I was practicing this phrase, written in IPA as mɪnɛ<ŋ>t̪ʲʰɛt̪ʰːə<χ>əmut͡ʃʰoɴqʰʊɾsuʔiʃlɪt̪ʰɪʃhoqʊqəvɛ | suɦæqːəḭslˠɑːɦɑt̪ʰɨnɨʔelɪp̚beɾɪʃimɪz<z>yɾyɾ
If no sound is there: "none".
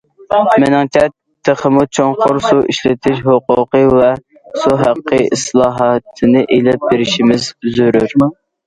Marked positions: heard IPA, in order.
ŋ, χ, z

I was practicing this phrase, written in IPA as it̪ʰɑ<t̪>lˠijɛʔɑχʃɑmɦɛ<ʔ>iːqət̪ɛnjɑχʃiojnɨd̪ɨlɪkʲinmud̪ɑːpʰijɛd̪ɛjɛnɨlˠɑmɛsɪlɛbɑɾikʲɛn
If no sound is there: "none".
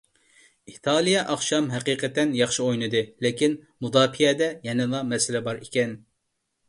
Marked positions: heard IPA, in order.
none, q

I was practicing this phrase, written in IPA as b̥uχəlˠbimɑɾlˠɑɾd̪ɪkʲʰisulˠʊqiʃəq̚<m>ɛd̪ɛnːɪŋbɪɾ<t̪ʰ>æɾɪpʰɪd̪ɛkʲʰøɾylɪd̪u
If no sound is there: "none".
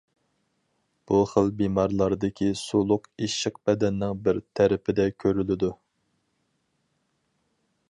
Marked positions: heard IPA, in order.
b, t̪ʰ

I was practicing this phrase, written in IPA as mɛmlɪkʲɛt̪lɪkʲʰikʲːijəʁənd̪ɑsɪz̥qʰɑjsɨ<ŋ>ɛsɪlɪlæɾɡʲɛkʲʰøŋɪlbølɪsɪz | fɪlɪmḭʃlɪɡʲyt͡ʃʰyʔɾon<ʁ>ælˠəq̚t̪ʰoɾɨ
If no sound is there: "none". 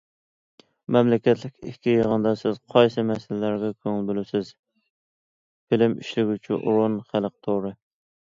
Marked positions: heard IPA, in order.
m, χ

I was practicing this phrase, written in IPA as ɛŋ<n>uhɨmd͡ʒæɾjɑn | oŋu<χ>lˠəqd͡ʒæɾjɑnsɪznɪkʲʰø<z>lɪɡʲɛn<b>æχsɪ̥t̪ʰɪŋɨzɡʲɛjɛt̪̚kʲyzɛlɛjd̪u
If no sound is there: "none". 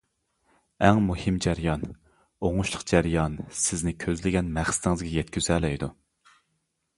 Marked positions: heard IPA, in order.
m, ʃ, z, m

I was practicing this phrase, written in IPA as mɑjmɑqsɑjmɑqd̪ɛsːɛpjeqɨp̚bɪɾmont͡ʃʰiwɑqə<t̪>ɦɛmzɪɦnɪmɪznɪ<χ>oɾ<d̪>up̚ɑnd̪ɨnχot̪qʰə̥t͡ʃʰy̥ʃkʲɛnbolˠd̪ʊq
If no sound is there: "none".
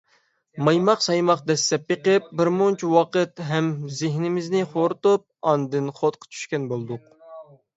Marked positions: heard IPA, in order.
t̪, χ, t̪

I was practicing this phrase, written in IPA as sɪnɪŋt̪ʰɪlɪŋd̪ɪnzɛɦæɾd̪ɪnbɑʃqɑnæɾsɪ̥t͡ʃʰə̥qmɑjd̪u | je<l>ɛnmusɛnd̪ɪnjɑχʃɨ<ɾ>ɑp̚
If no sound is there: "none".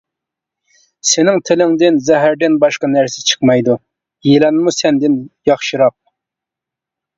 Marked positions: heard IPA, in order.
l, ɾ

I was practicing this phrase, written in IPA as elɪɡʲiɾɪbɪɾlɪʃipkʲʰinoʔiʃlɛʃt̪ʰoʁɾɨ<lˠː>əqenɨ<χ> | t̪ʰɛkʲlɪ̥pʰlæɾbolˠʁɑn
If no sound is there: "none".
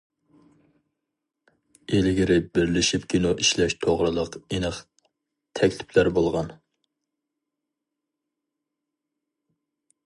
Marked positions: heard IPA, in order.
lˠ, χ

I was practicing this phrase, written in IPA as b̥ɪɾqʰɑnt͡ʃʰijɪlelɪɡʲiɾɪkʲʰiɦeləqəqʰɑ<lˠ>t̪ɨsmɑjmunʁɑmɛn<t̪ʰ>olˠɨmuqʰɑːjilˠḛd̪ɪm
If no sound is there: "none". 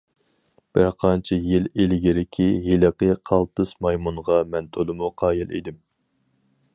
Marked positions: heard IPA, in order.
lˠ, t̪ʰ

